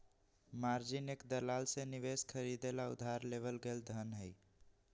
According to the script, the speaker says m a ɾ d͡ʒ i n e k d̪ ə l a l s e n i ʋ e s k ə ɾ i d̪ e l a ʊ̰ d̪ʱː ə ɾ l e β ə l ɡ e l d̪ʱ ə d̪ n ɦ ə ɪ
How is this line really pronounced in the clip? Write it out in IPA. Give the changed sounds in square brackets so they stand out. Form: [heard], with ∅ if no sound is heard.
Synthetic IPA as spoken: m a ɾ d͡ʒ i n e k d̪ ə l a l s e n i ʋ e s [kʰ] ə ɾ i d̪ e l a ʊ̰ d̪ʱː [a] ɾ l e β ə l ɡ e l d̪ʱ ə [∅] n ɦ ə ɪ